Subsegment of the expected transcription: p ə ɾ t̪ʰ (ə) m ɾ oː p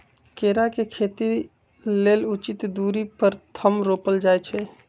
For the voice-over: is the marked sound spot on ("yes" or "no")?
yes